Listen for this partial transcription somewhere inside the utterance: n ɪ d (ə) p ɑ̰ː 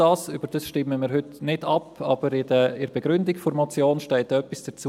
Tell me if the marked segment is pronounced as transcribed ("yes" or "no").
no